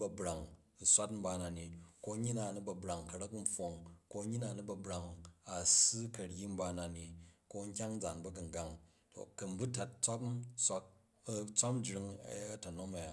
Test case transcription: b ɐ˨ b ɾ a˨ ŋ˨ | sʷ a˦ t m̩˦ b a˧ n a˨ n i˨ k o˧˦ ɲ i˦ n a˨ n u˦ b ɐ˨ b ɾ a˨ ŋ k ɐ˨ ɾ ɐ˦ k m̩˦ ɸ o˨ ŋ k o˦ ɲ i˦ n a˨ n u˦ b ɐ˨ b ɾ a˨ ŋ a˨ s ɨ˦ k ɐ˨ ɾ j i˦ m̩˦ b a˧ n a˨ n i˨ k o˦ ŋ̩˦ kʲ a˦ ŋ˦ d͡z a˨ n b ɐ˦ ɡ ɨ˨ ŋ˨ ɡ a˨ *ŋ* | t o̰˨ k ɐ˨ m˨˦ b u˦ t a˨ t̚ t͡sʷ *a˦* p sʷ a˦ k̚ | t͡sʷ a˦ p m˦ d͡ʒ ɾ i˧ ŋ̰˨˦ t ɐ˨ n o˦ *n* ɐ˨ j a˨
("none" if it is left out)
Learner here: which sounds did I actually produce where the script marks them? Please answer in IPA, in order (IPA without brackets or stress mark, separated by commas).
ŋ, a˦, m